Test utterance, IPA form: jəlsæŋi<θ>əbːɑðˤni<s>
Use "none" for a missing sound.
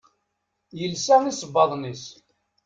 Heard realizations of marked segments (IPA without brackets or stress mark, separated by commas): s, s